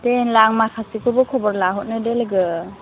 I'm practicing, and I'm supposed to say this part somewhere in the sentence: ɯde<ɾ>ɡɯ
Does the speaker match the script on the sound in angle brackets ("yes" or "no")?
no